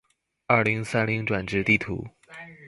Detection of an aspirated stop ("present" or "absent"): present